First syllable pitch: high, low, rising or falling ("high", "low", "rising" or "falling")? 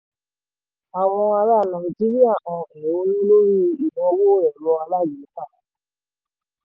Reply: low